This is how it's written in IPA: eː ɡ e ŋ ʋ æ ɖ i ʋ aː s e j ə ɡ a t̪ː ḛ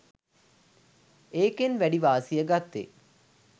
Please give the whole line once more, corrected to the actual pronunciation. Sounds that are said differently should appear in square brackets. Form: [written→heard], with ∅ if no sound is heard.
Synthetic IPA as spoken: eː [ɡ→k] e [ŋ→n] ʋ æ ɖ i ʋ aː s [e→i] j ə ɡ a t̪ː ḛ

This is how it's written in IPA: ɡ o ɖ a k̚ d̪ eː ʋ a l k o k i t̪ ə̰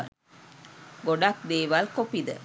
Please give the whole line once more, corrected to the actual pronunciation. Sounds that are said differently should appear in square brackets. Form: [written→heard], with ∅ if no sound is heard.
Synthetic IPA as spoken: ɡ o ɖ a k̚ d̪ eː ʋ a l k o [k→p] i [t̪→d̪] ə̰

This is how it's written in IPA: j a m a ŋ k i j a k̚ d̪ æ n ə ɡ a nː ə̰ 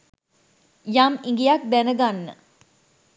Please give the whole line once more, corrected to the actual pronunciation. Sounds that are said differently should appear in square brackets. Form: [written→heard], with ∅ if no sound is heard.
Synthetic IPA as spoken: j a m [a→i] ŋ [k→ɡ] i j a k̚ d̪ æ n ə ɡ a nː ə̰

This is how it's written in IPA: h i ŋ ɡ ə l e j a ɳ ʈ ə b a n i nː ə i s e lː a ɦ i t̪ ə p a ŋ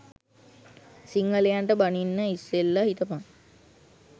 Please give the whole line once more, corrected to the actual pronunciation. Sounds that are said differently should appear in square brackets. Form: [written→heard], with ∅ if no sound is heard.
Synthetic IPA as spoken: [h→s] i ŋ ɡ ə l e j a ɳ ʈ ə b a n i nː ə i s e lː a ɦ i t̪ ə p a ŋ

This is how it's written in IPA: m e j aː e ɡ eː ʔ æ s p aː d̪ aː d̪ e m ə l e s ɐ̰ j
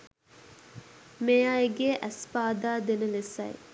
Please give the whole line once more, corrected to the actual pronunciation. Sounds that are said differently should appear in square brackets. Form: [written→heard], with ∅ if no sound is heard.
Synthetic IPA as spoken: m e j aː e ɡ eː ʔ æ s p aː d̪ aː d̪ e [m→n] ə l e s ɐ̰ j

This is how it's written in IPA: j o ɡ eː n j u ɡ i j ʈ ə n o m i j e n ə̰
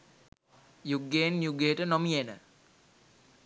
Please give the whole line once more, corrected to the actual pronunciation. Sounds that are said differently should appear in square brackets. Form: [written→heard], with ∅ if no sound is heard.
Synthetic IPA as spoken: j [o→u] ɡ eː n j u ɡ [i→e] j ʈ ə n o m i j e n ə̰

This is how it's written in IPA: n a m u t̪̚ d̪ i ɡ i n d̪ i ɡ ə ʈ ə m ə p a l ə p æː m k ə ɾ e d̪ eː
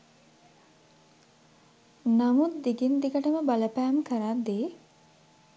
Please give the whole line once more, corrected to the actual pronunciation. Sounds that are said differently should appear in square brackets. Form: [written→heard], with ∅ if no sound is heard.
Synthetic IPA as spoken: n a m u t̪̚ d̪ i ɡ i n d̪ i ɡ ə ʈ ə m ə [p→b] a l ə p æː m k ə ɾ [e→a] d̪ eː

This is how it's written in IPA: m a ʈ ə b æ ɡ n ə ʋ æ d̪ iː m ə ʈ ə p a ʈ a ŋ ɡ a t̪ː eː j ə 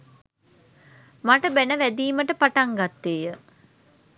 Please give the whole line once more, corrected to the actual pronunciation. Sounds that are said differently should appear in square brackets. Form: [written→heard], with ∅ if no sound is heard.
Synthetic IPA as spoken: m a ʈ ə b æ [ɡ→∅] n ə ʋ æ d̪ iː m ə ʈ ə p a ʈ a ŋ ɡ a t̪ː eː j ə

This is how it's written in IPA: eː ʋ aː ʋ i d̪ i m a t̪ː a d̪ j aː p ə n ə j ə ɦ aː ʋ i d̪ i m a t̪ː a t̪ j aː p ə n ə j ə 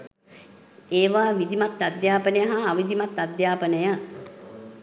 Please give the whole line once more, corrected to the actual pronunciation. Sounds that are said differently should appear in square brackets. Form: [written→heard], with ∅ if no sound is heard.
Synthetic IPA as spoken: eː ʋ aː ʋ i d̪ i m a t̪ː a d̪ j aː p ə n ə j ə ɦ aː ʋ i d̪ i m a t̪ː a [t̪→d̪] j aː p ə n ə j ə

